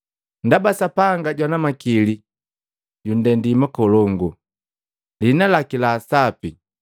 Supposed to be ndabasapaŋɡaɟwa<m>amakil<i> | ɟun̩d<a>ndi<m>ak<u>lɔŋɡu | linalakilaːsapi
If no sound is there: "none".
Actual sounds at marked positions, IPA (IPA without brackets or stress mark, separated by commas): n, i, ɛ, m, ɔ